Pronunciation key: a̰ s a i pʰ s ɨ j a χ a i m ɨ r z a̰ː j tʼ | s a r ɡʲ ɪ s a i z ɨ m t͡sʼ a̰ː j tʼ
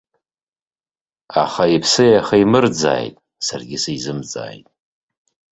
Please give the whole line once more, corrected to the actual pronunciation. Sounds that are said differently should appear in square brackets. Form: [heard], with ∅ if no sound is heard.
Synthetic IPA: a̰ [χ] a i pʰ s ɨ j a χ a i m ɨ r [d͡z] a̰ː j tʼ | s a r ɡʲ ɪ s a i z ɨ m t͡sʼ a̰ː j tʼ